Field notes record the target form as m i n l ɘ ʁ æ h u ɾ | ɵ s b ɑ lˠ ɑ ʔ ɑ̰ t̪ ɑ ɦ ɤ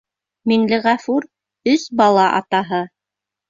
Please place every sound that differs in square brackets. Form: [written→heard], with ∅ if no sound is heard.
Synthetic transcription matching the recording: m i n l ɘ ʁ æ [h→f] u ɾ | ɵ s b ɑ lˠ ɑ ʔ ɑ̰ t̪ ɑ ɦ ɤ